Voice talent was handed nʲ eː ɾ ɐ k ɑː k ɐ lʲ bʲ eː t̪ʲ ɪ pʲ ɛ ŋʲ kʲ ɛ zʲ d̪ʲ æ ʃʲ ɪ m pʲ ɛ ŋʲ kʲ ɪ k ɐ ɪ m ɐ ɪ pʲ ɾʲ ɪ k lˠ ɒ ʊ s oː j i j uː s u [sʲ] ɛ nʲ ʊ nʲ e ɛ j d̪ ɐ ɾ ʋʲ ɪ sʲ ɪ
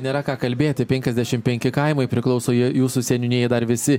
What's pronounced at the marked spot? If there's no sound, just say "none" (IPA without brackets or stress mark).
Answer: sʲ